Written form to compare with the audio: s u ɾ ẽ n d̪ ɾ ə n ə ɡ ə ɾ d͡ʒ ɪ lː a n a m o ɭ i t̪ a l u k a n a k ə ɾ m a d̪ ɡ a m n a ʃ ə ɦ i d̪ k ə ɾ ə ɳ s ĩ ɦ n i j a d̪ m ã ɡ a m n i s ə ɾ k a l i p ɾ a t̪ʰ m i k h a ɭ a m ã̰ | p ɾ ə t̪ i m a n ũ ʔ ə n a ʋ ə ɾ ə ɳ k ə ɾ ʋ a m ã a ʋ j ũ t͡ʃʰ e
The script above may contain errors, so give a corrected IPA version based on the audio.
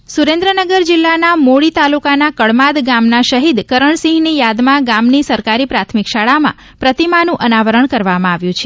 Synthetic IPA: s u ɾ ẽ n d̪ ɾ ə n ə ɡ ə ɾ d͡ʒ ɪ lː a n a m o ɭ i t̪ a l u k a n a k ə ɭ m a d̪ ɡ a m n a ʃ ə ɦ i d̪ k ə ɾ ə ɳ s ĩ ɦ n i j a d̪ m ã ɡ a m n i s ə ɾ k a ɾ i p ɾ a t̪ʰ m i k ʃ a ɭ a m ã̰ | p ɾ ə t̪ i m a n ũ ʔ ə n a ʋ ə ɾ ə ɳ k ə ɾ ʋ a m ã a ʋ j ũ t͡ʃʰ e